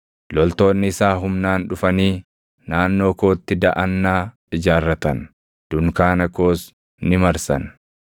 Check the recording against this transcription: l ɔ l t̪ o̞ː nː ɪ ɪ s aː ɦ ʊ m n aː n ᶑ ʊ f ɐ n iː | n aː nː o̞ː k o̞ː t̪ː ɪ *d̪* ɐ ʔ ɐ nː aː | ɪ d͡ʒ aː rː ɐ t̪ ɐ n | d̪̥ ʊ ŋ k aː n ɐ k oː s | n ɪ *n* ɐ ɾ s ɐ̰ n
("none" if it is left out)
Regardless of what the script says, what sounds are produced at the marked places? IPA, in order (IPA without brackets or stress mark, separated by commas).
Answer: d̪, m